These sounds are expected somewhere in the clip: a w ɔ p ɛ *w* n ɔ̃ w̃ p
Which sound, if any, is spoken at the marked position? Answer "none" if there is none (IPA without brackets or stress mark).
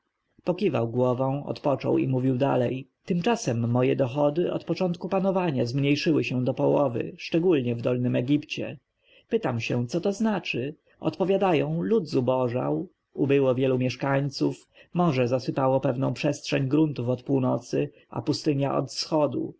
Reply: v